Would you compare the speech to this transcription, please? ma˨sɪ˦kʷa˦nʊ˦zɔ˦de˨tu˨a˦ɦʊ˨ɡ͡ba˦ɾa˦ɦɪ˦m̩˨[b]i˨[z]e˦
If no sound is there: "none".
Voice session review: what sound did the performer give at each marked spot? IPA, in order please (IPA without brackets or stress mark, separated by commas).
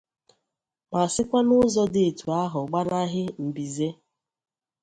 b, z